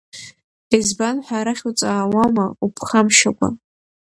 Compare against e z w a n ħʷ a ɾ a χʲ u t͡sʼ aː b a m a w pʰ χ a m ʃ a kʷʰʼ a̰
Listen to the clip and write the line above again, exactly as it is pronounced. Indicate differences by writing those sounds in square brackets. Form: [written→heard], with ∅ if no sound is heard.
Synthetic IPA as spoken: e z [w→b] a n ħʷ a ɾ a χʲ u t͡sʼ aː [b→w] a m a [w→u] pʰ χ a m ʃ a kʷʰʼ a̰